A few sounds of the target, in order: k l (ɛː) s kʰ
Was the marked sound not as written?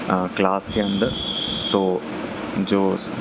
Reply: yes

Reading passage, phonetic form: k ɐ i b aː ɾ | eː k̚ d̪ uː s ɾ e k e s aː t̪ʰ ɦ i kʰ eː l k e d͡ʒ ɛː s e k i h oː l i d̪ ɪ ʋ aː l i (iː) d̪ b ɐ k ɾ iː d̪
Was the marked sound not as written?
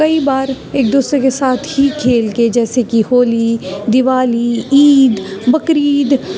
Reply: no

